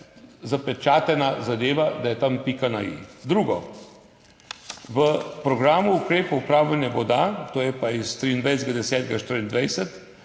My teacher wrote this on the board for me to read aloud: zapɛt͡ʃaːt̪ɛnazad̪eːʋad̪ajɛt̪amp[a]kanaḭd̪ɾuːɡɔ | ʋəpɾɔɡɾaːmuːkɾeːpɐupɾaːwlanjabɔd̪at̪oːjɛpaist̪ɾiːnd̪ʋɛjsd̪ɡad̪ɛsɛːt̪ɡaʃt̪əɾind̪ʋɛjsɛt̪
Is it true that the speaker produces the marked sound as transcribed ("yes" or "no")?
no